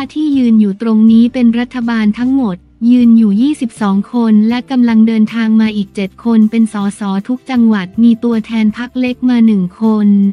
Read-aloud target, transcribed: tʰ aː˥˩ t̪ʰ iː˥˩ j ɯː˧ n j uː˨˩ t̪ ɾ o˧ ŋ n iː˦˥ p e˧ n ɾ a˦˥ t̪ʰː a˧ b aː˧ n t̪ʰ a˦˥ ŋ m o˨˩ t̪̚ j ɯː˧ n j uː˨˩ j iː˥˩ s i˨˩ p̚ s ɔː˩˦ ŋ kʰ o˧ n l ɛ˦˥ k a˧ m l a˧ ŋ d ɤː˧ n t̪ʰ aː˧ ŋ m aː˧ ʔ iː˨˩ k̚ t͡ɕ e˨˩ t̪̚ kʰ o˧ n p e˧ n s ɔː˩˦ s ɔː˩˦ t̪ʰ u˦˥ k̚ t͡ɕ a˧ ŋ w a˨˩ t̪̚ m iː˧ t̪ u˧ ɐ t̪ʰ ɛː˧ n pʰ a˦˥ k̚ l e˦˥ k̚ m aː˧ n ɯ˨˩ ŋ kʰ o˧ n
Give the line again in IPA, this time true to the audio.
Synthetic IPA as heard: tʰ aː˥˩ t̪ʰ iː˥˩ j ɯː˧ n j uː˨˩ t̪ ɾ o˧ ŋ n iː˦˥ p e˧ n ɾ a˦˥ t̪ʰː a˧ b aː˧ n t̪ʰ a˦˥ ŋ m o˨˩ t̪̚ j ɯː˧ n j uː˨˩ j iː˥˩ s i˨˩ p̚ s ɔː˩˦ ŋ kʰ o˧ n l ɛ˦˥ k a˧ m l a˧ ŋ d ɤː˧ n t̪ʰ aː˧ ŋ m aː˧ ʔ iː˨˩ k̚ t͡ɕ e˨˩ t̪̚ kʰ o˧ n p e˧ n s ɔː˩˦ s ɔː˩˦ t̪ʰ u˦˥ k̚ t͡ɕ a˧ ŋ w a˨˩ t̪̚ m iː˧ t̪ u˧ ɐ t̪ʰ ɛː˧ n pʰ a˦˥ k̚ l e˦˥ k̚ m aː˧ n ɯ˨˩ ŋ kʰ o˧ n

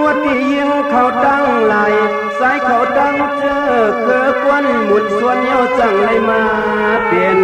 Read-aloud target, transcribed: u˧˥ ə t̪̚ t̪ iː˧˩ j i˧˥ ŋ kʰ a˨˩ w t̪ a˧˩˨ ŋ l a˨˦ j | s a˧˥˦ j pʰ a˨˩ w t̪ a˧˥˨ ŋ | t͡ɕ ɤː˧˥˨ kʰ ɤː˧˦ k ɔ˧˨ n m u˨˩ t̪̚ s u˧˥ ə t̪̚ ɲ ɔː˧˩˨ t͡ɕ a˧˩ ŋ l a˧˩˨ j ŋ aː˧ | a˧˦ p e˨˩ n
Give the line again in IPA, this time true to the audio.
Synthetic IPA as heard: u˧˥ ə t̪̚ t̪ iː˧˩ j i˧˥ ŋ kʰ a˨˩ w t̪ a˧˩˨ ŋ l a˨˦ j | s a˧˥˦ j kʰ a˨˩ w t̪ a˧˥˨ ŋ | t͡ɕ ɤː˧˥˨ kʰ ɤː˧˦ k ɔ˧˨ n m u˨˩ t̪̚ s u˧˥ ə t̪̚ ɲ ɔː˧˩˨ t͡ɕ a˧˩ ŋ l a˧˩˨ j m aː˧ | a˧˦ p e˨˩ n

